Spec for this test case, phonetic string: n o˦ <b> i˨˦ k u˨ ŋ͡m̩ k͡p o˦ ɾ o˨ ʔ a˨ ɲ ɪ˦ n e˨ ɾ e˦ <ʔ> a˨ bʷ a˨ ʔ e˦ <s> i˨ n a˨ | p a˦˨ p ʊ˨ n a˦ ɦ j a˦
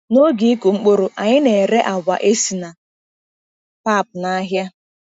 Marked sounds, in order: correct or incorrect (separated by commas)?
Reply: incorrect, correct, correct